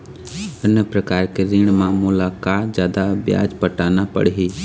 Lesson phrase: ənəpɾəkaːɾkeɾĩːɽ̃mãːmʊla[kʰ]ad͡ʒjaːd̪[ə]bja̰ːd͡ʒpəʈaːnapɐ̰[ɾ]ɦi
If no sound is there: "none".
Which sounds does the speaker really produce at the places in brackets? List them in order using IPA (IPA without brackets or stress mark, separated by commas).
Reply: k, a, ɽ